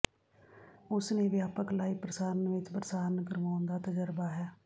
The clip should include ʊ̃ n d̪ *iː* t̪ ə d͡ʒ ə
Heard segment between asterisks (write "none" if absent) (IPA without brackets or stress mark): aː